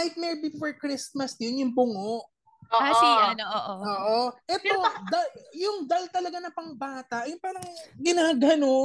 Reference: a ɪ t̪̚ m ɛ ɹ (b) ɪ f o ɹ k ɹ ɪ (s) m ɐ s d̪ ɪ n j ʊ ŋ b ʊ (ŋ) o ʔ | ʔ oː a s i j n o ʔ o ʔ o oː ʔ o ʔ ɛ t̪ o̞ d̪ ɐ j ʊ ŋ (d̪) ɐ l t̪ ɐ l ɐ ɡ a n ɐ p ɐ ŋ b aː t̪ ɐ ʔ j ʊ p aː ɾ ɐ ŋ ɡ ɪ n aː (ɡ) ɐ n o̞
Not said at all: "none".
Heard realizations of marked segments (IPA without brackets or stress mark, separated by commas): b, s, ŋ, d̪, ɡ